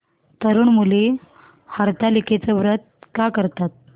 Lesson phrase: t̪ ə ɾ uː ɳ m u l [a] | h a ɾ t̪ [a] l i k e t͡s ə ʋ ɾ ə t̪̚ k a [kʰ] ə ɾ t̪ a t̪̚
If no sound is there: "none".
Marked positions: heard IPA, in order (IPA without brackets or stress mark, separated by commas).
e, a, k